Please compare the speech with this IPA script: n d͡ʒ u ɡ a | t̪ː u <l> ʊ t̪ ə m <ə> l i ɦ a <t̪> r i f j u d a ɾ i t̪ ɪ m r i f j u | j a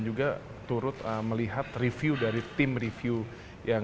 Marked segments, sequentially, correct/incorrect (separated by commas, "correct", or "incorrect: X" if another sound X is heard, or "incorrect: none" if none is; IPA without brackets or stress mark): incorrect: ɾ, correct, correct